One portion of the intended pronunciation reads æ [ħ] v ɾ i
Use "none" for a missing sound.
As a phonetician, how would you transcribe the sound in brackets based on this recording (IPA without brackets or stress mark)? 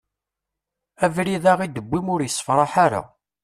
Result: none